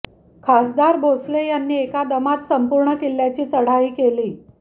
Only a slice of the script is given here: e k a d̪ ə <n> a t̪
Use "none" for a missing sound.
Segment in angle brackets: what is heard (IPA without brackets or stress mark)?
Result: m